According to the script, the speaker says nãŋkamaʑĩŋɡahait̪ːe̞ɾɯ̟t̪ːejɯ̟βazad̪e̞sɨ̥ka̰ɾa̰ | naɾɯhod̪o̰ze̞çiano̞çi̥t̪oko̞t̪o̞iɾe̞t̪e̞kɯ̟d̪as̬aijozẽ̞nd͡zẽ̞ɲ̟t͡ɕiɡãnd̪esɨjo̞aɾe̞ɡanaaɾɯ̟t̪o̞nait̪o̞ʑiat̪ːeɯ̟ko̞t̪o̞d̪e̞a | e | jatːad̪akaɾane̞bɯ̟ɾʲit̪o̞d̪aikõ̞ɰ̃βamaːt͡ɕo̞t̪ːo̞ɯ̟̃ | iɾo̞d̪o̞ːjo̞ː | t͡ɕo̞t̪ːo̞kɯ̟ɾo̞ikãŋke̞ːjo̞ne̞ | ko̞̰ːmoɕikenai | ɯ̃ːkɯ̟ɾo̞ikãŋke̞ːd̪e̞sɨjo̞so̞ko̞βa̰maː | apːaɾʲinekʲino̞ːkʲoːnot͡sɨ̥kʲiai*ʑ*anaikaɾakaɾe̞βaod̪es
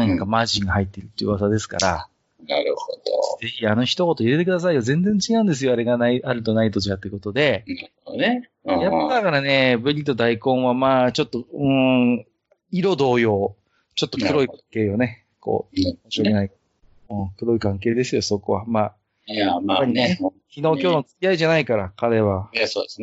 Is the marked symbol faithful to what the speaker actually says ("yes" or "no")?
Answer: yes